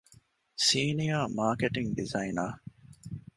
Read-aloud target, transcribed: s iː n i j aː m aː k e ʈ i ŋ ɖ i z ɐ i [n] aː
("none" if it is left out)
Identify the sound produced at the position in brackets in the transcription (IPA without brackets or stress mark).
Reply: n